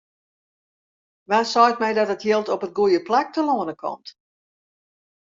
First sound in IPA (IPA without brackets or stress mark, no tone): ʋ